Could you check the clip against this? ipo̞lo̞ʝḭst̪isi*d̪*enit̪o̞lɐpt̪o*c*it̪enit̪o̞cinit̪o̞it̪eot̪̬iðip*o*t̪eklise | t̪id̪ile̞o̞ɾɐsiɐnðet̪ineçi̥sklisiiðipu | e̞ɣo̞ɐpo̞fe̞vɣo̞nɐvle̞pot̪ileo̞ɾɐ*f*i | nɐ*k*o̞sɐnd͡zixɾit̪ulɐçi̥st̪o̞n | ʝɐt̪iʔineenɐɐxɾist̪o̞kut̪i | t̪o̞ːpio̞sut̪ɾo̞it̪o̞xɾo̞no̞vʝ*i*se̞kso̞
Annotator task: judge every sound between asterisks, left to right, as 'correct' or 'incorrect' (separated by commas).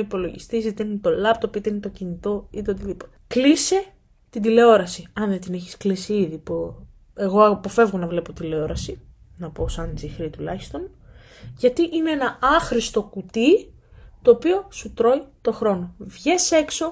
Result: incorrect, incorrect, correct, incorrect, incorrect, incorrect